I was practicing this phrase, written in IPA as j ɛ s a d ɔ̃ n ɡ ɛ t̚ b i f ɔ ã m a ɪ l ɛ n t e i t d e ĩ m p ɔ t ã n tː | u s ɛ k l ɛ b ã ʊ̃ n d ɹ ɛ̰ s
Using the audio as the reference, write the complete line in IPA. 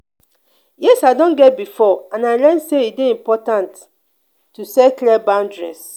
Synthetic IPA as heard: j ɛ s a d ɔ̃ n ɡ ɛ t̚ b i f ɔ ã n a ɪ l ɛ n s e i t d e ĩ m p ɔ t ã n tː | u s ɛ k l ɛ b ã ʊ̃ n d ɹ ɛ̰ s